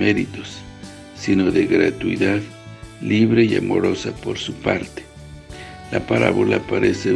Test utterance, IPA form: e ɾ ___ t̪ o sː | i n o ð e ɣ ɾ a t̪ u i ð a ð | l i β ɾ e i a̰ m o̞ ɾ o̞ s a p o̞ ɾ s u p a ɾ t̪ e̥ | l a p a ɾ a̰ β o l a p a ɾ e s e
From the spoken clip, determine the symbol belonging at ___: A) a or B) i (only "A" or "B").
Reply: B